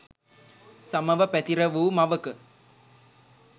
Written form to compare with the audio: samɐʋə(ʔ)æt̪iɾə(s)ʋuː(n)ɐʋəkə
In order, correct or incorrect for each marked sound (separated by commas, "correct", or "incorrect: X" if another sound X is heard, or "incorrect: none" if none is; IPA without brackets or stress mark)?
incorrect: p, incorrect: none, incorrect: m